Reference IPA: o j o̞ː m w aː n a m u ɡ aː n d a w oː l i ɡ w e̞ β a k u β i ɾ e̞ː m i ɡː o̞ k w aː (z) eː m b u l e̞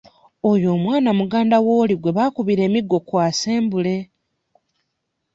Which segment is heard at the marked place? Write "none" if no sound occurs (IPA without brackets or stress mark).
s